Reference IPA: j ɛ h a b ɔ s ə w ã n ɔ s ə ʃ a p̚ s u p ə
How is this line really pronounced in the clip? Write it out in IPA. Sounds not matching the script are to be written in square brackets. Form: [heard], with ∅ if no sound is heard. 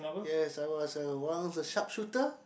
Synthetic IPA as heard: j ɛ [s] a [w] ɔ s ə w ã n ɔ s ə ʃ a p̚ [ʃ] u [t] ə